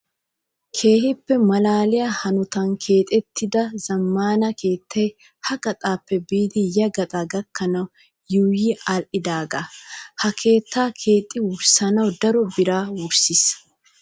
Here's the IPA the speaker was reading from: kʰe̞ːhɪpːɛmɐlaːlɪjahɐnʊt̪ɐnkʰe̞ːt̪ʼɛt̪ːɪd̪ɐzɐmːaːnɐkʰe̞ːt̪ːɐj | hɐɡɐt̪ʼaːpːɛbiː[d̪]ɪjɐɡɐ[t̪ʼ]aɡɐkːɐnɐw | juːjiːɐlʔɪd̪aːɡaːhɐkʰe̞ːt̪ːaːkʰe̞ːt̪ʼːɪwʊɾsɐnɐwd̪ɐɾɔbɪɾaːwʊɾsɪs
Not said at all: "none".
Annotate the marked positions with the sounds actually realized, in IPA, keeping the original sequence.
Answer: d̪, t̪ʼ

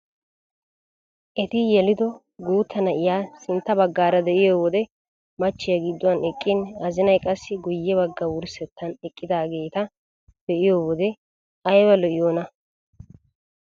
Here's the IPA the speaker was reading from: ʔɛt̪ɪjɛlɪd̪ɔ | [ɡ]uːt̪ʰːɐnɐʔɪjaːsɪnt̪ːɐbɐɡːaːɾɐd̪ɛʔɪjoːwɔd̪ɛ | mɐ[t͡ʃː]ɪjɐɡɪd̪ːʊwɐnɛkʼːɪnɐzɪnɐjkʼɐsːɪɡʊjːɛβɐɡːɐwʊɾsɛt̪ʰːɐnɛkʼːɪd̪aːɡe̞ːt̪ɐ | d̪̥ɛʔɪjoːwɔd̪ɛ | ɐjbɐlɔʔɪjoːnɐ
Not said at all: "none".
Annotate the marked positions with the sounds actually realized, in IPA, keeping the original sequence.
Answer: ɡ, t͡ʃː

